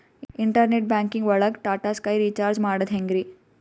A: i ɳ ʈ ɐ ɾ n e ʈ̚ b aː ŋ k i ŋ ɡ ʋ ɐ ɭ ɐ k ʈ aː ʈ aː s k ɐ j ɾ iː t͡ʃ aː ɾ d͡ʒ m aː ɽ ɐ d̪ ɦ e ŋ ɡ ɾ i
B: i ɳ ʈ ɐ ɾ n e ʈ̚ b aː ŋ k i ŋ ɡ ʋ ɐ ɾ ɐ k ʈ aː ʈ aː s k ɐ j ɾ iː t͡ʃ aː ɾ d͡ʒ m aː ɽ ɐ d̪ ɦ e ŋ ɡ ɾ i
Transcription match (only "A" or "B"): A